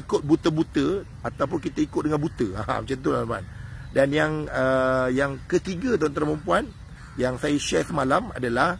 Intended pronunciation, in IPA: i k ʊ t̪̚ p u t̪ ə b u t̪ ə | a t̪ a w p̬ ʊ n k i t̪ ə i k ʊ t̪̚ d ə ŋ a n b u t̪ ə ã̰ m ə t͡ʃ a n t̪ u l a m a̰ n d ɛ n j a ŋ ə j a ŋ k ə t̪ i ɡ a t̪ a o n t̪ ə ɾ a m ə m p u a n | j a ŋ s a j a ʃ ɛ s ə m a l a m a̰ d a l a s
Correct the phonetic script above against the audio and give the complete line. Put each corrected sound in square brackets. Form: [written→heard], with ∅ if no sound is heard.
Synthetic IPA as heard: i k ʊ t̪̚ [p→b] u t̪ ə b u t̪ ə | a t̪ a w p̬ ʊ n k i t̪ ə i k ʊ t̪̚ d ə ŋ a n b u t̪ ə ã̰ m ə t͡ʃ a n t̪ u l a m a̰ n d [ɛ→a] n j a ŋ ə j a ŋ k ə t̪ i ɡ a t̪ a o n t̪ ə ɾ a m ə m p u a n | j a ŋ s a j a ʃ ɛ s ə m a l a m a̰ d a l a [s→h]